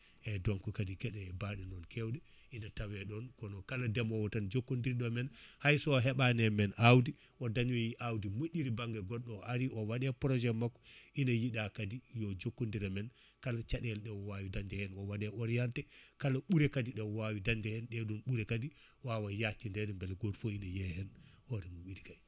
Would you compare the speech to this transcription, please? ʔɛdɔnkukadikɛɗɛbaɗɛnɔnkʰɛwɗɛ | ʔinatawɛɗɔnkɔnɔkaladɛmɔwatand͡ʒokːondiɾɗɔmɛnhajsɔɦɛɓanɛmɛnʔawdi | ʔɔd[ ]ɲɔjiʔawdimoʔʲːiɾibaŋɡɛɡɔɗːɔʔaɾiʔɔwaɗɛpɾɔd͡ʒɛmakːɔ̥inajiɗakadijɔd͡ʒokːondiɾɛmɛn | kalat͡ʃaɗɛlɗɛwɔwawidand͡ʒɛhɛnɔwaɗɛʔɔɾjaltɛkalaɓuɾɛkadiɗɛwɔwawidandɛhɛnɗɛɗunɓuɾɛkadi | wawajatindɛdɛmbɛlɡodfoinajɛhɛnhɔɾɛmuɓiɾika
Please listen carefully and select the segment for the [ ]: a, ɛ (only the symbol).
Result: a